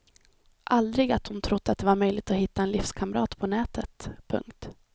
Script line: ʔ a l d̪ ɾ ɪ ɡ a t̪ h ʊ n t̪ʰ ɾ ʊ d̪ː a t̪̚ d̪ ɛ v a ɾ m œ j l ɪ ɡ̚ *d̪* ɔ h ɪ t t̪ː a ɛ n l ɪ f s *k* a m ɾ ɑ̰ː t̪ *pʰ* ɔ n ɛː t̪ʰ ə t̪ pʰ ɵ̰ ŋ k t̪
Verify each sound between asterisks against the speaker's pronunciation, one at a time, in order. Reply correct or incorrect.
incorrect: t̪, incorrect: kʰ, correct

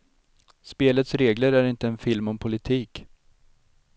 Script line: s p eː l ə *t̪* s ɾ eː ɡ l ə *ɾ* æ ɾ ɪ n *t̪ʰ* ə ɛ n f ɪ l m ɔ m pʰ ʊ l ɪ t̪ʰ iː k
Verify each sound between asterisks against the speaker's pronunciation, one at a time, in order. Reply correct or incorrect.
correct, correct, incorrect: t̪

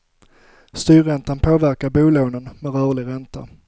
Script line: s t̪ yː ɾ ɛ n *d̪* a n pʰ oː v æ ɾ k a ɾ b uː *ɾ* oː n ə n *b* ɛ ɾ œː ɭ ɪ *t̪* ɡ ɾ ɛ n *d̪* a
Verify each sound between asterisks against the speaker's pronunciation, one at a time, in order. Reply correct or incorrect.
incorrect: t̪, incorrect: l, incorrect: m, incorrect: none, incorrect: t̪

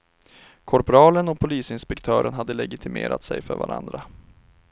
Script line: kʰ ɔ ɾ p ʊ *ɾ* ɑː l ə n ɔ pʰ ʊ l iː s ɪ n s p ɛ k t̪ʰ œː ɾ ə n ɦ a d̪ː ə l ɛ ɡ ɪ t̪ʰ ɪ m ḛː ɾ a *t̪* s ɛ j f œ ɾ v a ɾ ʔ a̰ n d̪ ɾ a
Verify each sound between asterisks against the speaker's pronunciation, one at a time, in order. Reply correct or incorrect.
correct, correct

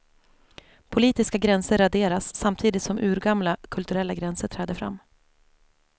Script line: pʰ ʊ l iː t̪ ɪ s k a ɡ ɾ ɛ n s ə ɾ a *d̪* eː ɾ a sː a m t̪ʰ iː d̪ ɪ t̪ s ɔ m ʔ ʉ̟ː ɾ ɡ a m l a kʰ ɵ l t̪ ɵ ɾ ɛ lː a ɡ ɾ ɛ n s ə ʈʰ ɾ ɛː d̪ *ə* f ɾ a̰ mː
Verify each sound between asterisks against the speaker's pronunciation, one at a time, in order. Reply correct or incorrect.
correct, correct

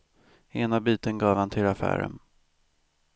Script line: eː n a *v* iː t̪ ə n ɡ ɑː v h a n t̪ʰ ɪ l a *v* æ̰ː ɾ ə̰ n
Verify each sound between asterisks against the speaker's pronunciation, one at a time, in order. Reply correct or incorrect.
incorrect: b, incorrect: f

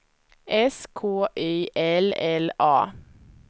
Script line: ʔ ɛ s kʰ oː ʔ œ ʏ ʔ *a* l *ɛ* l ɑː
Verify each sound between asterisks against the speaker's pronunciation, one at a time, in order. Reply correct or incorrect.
incorrect: ɛ, correct

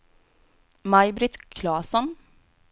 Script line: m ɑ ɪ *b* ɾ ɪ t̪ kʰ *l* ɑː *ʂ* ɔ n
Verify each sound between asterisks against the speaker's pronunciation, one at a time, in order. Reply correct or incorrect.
correct, correct, incorrect: s

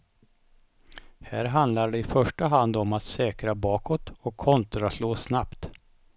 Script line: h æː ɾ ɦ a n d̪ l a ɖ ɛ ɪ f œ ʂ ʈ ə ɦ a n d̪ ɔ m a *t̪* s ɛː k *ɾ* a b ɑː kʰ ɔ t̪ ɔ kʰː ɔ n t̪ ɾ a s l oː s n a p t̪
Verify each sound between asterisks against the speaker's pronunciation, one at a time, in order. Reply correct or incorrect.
correct, correct

